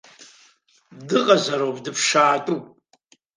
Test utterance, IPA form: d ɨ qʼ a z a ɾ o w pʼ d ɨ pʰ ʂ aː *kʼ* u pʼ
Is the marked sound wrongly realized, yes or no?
yes